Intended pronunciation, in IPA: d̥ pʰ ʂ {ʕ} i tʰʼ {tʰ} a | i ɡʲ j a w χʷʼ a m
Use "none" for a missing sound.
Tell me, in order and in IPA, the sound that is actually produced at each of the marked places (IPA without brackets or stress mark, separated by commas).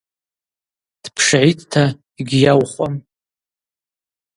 ʕ, tʰ